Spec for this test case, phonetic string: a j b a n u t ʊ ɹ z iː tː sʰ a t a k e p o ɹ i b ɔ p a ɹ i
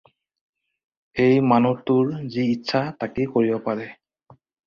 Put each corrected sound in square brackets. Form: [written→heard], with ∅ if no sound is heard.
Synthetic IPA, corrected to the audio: [a→e] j [b→m] a n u t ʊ ɹ z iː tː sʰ a t a k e [p→k] o ɹ i b ɔ p a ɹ [i→ɛ]